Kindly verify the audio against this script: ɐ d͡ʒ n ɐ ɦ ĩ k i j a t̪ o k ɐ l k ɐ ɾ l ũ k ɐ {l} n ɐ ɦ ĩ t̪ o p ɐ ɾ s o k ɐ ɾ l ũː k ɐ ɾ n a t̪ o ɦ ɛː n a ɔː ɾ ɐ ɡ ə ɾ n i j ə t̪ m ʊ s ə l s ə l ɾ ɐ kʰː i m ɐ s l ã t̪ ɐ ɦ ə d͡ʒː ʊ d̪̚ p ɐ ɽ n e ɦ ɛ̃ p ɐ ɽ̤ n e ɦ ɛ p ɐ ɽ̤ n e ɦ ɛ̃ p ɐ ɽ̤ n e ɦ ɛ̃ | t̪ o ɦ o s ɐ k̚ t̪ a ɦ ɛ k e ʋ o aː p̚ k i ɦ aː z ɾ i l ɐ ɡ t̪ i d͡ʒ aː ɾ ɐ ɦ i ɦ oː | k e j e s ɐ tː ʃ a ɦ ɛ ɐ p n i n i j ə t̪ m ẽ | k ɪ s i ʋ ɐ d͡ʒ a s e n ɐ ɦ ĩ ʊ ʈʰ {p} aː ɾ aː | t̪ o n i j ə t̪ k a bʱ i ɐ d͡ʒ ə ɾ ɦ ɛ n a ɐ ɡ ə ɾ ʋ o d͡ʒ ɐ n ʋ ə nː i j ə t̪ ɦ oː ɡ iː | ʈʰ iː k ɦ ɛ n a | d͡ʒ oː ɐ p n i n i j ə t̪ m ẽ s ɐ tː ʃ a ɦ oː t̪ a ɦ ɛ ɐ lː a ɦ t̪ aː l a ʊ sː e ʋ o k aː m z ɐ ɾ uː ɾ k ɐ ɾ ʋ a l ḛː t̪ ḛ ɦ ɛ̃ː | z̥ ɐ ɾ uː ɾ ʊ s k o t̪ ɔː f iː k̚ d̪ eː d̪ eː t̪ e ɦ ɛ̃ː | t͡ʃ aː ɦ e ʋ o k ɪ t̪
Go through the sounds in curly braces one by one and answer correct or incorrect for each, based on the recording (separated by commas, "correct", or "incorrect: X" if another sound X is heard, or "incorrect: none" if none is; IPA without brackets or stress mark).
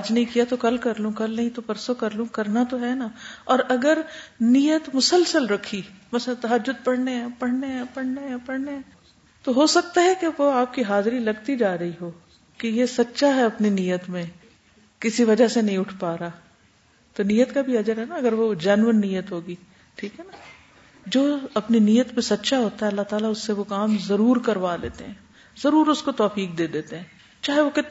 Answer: correct, correct